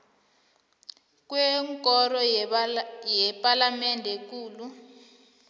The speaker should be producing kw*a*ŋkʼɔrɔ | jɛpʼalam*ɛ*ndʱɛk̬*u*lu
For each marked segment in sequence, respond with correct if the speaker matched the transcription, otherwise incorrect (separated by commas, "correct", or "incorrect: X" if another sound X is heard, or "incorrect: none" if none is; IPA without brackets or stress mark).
incorrect: ɛ, correct, incorrect: uː